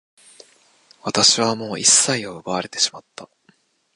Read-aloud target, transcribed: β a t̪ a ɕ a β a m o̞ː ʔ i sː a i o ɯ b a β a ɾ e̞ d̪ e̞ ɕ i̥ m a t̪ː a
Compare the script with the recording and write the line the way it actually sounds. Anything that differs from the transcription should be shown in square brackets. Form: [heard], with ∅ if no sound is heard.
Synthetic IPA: β a t̪ a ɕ [i] β a m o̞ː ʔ i sː a i o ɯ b a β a ɾ e̞ [t̪] e̞ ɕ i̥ m a t̪ː a